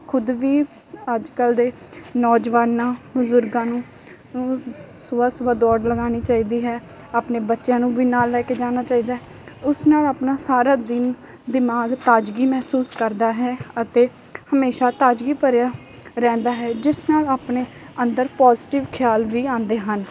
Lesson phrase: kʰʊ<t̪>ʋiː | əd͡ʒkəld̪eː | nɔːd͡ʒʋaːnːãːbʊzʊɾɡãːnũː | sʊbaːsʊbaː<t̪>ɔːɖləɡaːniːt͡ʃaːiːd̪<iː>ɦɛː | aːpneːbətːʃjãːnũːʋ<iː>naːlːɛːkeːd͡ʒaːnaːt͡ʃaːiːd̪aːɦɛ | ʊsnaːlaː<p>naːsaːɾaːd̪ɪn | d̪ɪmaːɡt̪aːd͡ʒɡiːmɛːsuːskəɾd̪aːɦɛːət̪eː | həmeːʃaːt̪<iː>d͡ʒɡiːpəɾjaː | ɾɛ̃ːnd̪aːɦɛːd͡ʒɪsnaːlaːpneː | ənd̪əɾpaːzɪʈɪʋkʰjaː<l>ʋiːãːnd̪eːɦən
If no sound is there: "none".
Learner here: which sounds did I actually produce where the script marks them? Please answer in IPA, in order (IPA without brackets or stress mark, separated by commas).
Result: d̪, d̪, iː, iː, p, aː, l